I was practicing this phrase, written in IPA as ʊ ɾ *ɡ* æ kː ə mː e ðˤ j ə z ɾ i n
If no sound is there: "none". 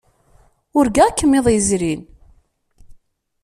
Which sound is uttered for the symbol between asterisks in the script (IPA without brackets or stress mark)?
ɡ